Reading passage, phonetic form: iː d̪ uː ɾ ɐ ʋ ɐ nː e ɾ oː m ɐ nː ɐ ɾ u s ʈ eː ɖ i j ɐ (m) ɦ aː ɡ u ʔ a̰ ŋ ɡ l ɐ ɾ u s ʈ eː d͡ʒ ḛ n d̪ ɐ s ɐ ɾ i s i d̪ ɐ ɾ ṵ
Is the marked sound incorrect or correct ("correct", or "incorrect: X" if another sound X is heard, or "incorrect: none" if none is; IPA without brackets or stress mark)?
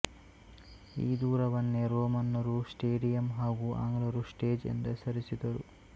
correct